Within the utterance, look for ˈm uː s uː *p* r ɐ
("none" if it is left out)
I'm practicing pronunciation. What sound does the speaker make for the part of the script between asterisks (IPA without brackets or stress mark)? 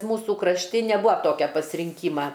k